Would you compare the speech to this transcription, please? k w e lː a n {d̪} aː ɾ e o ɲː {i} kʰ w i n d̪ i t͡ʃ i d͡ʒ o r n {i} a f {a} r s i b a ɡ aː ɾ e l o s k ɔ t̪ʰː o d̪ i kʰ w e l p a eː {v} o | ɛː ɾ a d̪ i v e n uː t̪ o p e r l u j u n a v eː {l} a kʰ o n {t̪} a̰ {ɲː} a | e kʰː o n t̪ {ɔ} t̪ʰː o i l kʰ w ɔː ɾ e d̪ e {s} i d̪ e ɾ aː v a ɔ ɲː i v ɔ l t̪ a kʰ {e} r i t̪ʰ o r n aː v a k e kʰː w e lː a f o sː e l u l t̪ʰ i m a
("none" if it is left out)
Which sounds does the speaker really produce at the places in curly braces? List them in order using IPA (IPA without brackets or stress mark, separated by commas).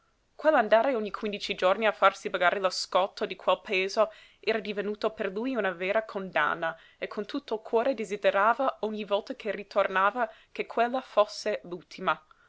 d̪, i, i, a, z, ɾ, d̪, nː, u, z, e